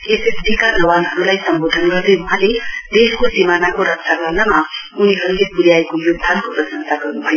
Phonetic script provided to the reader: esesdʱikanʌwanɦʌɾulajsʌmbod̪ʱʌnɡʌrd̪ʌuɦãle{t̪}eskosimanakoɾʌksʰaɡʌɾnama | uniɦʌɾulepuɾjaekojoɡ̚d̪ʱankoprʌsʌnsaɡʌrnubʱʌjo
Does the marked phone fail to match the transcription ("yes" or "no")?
yes